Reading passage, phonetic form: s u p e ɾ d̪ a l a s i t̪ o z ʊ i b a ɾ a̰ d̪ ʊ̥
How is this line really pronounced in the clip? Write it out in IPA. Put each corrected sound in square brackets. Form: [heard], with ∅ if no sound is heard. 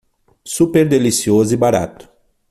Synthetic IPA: s u p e ɾ d̪ [e] l [i] s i [∅] o z ʊ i b a ɾ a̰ [t̪] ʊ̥